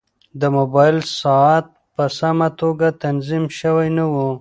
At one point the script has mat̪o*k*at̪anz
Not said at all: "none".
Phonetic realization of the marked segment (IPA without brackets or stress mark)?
ɡ